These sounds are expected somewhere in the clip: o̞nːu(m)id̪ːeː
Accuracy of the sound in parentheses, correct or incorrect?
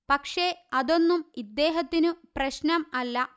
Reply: correct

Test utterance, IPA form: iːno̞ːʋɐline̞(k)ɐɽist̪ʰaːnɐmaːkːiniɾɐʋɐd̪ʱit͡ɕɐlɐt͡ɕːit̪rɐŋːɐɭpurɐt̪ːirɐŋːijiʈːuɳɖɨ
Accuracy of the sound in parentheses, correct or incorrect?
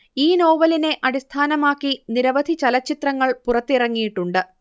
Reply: incorrect: ʔ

